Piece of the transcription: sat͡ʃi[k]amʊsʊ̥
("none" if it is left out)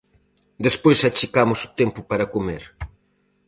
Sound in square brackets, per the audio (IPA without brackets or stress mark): k